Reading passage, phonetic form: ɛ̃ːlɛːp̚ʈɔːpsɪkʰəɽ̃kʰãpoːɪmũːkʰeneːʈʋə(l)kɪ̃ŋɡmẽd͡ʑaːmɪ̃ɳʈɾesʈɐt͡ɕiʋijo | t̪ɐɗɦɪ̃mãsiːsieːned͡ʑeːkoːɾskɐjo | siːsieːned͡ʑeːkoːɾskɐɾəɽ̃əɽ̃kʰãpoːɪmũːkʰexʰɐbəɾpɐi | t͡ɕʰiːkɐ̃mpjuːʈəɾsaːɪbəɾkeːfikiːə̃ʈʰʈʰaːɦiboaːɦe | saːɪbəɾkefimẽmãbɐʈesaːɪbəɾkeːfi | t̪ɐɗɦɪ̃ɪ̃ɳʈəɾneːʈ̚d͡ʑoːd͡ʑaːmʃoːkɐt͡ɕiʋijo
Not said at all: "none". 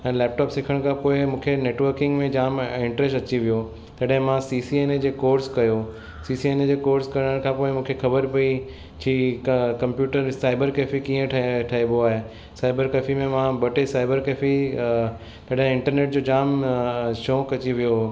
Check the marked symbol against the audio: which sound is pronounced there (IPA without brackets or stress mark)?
ɾ